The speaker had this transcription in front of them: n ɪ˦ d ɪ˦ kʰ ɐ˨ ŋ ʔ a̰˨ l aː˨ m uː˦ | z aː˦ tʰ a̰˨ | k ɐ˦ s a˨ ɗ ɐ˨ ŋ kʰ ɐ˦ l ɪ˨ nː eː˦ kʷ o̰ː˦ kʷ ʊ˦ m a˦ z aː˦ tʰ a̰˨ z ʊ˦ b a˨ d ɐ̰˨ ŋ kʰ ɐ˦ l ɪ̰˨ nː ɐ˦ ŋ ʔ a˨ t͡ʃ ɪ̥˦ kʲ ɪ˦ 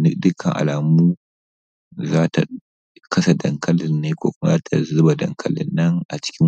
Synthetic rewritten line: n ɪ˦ d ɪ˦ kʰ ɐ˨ ŋ ʔ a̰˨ l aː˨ m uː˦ | z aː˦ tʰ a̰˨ | k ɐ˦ s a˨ d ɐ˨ ŋ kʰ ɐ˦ l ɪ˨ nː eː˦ kʷ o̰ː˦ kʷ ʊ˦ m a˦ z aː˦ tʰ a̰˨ z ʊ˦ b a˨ d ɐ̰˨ ŋ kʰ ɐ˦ l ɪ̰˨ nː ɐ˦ ŋ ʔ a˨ t͡ʃ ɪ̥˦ kʲ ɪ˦